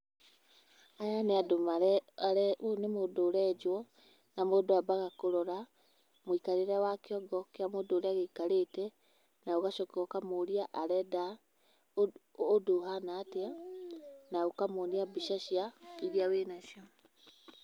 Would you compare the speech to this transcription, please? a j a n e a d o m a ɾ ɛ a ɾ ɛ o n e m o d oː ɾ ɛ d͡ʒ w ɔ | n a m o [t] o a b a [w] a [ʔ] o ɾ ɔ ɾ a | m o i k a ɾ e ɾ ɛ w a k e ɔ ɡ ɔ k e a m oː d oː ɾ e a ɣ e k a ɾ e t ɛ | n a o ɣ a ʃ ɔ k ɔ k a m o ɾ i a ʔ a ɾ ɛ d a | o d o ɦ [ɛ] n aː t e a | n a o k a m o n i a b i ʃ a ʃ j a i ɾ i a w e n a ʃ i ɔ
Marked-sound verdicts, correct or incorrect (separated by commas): incorrect, incorrect, incorrect, incorrect